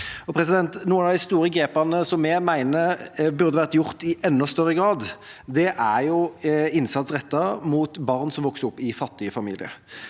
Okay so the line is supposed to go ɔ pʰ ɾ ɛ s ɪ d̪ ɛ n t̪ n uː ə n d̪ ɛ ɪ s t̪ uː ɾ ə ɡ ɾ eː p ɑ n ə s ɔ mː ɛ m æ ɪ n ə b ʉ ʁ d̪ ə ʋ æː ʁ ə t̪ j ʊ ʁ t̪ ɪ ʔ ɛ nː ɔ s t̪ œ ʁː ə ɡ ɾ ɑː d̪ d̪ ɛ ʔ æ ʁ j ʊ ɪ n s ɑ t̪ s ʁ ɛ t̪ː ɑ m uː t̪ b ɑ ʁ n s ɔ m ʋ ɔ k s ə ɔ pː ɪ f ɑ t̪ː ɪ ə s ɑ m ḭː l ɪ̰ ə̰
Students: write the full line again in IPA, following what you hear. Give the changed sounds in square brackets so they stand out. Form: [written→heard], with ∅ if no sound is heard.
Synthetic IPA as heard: ɔ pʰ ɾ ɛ s ɪ d̪ ɛ n t̪ n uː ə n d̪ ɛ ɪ s t̪ uː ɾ ə ɡ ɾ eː p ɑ n ə s ɔ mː ɛ m æ ɪ n ə b ʉ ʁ d̪ ə ʋ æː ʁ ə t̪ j ʊ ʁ t̪ ɪ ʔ ɛ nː ɔ s t̪ œ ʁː ə ɡ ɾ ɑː d̪ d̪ ɛ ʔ æ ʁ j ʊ ɪ n s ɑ t̪ s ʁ ɛ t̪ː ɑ m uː t̪ b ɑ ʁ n s ɔ m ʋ ɔ k s ə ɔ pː ɪ f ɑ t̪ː ɪ ə [s→f] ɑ m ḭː l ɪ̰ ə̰